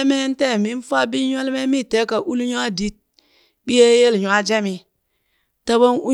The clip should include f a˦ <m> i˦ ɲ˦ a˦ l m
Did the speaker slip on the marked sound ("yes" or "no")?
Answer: yes